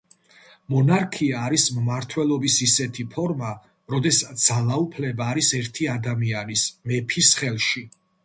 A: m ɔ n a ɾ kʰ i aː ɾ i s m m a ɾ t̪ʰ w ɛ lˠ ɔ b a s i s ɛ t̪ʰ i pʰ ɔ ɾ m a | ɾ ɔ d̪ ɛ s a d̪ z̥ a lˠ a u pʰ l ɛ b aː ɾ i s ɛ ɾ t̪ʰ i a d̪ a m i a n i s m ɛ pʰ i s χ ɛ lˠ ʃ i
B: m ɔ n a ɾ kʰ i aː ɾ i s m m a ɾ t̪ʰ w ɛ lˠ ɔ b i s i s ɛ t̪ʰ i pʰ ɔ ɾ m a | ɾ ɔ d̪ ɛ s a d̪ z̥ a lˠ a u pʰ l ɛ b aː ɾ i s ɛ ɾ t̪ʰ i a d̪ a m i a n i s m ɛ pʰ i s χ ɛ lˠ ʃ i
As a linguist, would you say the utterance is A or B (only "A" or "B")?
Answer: B